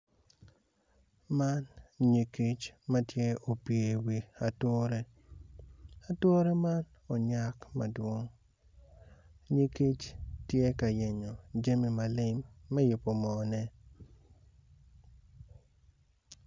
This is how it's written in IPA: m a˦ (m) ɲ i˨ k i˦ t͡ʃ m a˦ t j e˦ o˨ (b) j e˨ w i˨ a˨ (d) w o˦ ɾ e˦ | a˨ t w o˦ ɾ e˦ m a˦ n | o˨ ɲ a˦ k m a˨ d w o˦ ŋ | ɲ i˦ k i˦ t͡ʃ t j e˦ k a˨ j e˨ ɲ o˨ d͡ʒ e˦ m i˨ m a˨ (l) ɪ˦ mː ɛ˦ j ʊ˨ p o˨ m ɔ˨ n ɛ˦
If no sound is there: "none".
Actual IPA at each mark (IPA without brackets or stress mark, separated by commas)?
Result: n, p, t, l